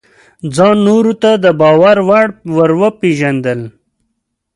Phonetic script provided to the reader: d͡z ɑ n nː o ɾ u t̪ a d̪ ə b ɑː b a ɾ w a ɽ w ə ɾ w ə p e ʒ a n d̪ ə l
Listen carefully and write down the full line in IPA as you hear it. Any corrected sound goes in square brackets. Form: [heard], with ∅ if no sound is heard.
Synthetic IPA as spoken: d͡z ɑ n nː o ɾ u t̪ a d̪ ə b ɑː [w] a ɾ w a ɽ w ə ɾ w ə p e ʒ a n d̪ ə l